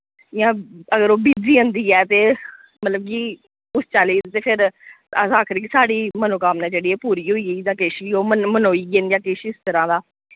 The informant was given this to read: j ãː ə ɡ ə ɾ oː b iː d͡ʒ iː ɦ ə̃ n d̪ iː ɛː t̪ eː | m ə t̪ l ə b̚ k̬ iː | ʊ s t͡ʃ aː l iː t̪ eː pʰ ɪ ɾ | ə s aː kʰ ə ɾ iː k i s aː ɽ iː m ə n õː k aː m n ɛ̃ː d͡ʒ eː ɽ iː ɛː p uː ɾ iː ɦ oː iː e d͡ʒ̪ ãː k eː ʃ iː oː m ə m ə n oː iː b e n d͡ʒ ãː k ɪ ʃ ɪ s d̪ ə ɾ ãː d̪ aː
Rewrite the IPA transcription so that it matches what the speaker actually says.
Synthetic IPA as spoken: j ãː ə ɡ ə ɾ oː b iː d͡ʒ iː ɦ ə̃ n d̪ iː ɛː t̪ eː | m ə t̪ l ə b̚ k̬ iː | ʊ s t͡ʃ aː l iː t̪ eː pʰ ɪ ɾ | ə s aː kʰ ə ɾ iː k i s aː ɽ iː m ə n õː k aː m n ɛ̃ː d͡ʒ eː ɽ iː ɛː p uː ɾ iː ɦ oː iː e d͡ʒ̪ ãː k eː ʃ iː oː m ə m ə n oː iː ɡ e n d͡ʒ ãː k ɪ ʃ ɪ s t̪ ə ɾ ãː d̪ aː

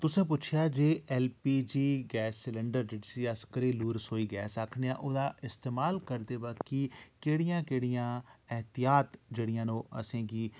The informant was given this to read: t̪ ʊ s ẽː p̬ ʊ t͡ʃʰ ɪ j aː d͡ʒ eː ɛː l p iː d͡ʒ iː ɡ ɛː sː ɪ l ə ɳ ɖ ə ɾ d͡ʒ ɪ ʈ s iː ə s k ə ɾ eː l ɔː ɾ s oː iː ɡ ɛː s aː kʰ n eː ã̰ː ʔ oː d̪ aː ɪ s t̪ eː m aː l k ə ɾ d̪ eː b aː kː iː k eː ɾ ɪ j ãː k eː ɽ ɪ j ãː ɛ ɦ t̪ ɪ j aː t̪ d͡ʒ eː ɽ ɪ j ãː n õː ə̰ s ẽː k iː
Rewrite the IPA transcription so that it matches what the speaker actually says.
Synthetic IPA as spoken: t̪ ʊ s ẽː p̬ ʊ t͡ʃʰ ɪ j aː d͡ʒ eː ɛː l p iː d͡ʒ iː ɡ ɛː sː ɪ l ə ɳ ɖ ə ɾ d͡ʒ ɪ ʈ s iː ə s k ə ɾ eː l uː ɾ s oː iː ɡ ɛː s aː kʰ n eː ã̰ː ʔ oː d̪ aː ɪ s t̪ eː m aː l k ə ɾ d̪ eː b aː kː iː k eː ɽ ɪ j ãː k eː ɽ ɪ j ãː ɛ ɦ t̪ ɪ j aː t̪ d͡ʒ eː ɽ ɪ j ãː n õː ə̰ s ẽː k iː

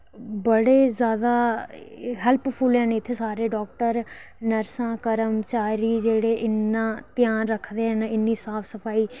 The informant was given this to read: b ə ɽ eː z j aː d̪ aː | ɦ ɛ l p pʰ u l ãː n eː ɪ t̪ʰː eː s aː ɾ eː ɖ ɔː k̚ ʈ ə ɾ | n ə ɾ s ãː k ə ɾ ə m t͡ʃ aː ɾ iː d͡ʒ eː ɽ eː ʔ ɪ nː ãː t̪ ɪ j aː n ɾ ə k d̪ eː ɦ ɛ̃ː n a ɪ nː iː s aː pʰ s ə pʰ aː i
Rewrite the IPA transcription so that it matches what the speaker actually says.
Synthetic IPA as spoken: b ə ɽ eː z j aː d̪ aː | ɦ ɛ l p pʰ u l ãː n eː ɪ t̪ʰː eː s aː ɾ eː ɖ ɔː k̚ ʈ ə ɾ | n ə ɾ s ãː k ə ɾ ə m t͡ʃ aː ɾ iː d͡ʒ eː ɽ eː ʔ ɪ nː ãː t̪ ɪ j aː n ɾ ə kʰ d̪ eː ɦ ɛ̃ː n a ɪ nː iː s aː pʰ s ə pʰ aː iː

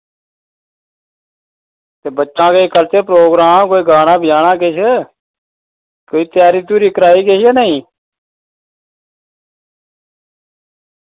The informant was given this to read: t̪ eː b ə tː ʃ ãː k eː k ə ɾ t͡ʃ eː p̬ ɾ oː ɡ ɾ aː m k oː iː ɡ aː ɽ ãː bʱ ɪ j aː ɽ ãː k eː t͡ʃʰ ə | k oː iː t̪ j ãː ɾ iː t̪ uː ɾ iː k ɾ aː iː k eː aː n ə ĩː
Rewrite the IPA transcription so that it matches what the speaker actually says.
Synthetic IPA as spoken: t̪ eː b ə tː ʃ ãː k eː k ə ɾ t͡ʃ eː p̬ ɾ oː ɡ ɾ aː m k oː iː ɡ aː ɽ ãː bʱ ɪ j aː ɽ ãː k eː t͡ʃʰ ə | k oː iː t̪ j aː ɾ iː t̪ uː ɾ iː k ɾ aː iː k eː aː n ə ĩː

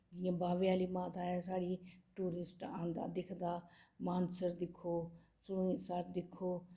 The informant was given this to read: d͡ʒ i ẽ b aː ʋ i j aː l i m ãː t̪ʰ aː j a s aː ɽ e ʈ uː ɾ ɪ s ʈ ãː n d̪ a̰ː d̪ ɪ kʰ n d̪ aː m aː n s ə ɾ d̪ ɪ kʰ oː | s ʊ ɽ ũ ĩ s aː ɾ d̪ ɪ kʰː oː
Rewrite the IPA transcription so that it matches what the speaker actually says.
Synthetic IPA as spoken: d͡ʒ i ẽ b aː ʋ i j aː l i m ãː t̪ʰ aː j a s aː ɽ i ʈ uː ɾ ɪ s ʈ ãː n d̪ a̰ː d̪ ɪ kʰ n d̪ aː m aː n s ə ɾ d̪ ɪ kʰ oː | s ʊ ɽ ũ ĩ s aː ɾ d̪ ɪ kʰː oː

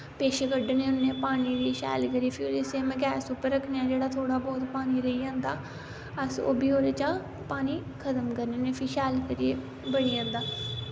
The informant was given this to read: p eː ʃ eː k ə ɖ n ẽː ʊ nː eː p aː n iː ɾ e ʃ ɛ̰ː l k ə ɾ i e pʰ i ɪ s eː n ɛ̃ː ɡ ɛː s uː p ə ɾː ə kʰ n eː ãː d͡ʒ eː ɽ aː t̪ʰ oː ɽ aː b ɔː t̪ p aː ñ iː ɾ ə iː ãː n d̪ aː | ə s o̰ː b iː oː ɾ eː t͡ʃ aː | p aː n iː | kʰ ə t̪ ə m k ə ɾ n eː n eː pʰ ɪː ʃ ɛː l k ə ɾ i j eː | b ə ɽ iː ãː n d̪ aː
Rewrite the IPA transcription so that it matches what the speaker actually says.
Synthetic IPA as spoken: p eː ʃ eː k ə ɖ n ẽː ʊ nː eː p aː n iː ɾ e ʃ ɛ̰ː l k ə ɾ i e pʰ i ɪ s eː m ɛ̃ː ɡ ɛː s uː p ə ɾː ə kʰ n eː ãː d͡ʒ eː ɽ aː t̪ʰ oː ɽ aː b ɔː t̪ p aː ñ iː ɾ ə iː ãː n d̪ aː | ə s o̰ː b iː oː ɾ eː t͡ʃ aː | p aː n iː | kʰ ə t̪ ə m k ə ɾ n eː n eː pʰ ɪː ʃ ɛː l k ə ɾ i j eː | b ə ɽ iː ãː n d̪ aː

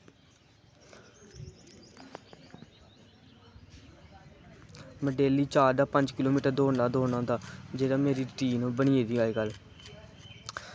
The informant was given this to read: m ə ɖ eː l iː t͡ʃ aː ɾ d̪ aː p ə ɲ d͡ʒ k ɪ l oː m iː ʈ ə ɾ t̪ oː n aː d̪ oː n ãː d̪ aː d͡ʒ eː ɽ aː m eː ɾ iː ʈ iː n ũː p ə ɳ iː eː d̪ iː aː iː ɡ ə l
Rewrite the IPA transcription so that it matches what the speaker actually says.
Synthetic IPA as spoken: m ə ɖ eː l iː t͡ʃ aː ɾ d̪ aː p ə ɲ d͡ʒ k ɪ l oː m iː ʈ ə ɾ d̪ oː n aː d̪ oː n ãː d̪ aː d͡ʒ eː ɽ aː m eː ɾ iː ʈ iː n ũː b ə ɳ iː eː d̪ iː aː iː ɡ ə l

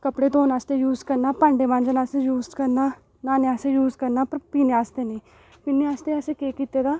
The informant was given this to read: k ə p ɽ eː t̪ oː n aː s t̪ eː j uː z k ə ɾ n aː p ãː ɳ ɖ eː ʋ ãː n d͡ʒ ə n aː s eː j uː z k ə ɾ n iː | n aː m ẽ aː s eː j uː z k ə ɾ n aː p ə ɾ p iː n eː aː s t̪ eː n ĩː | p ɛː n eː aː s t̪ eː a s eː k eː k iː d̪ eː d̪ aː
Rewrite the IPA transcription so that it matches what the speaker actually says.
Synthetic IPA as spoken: k ə p ɽ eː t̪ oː n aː s t̪ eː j uː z k ə ɾ n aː p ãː ɳ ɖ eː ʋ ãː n d͡ʒ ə n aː s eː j uː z k ə ɾ n aː | n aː n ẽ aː s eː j uː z k ə ɾ n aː p ə ɾ p iː n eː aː s t̪ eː n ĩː | p iː n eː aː s t̪ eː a s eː k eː k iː t̪ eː d̪ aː

